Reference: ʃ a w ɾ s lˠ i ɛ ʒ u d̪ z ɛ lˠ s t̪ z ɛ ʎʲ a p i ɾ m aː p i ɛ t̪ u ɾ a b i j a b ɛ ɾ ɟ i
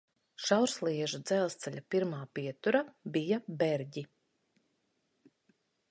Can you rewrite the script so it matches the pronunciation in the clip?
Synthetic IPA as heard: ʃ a w ɾ s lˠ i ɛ ʒ u d̪ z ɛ lˠ s t̪ s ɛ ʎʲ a p i ɾ m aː p i ɛ t̪ u ɾ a b i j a b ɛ ɾ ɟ i